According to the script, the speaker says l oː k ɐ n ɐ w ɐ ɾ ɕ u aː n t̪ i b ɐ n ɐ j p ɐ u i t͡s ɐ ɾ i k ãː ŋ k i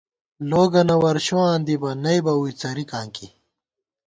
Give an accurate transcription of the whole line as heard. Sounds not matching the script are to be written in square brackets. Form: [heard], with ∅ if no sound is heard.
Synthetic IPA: l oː [ɡ] ɐ n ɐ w ɐ ɾ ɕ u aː n [d̪] i b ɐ n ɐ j [b] ɐ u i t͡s ɐ ɾ i k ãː ŋ k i